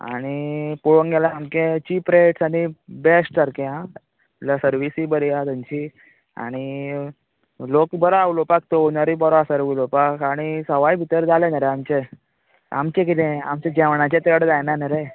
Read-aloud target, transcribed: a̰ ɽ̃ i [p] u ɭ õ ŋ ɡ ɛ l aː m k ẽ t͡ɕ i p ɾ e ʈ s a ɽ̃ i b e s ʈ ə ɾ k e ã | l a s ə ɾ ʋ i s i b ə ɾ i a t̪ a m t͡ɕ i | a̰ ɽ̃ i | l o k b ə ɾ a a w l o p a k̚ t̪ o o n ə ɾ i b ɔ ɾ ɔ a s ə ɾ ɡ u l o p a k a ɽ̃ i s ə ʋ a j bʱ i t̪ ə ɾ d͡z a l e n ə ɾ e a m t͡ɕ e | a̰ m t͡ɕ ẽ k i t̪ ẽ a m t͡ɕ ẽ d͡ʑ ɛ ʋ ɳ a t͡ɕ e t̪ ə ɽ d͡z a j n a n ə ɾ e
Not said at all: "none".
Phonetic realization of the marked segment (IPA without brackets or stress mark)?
p